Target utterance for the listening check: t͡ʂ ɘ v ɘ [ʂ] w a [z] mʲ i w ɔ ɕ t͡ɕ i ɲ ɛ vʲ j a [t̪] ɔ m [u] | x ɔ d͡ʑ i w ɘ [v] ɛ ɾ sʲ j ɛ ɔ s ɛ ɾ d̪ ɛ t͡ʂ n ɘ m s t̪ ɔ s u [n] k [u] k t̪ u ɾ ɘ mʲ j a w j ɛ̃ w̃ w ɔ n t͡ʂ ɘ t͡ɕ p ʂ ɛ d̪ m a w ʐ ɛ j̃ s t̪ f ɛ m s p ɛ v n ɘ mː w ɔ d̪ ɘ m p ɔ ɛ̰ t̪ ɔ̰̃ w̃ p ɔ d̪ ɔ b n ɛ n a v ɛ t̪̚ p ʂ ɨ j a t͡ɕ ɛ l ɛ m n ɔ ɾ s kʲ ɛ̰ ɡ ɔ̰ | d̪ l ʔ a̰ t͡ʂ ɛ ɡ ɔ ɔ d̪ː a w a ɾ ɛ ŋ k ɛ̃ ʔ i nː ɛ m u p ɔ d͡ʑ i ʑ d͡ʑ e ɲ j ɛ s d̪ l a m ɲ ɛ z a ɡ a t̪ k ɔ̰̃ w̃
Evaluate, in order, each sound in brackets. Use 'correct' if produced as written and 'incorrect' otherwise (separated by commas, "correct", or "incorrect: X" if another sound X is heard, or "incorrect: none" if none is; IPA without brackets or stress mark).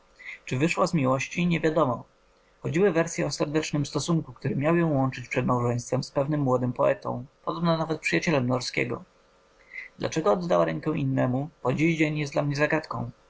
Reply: correct, correct, incorrect: d̪, incorrect: ɔ, correct, incorrect: ŋ, correct